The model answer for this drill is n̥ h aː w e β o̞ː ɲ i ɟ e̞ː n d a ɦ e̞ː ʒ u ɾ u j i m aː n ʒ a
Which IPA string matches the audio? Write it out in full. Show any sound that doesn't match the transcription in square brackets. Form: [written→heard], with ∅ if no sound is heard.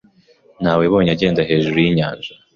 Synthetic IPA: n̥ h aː w e β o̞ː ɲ [i→a] ɟ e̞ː n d a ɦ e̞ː ʒ u ɾ u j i [m→ɲ] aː n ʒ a